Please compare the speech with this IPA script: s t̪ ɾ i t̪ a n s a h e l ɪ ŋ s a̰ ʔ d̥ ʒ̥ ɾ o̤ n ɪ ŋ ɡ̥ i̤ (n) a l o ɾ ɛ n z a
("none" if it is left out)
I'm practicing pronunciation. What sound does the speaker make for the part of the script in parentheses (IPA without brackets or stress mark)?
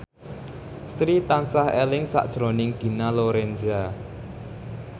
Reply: n